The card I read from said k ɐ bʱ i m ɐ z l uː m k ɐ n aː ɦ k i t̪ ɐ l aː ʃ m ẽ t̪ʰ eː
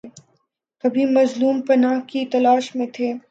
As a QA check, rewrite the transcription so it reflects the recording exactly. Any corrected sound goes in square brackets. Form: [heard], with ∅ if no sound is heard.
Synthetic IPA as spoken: k ɐ bʱ i m ɐ z l uː m [p] ɐ n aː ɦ k i t̪ ɐ l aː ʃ m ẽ t̪ʰ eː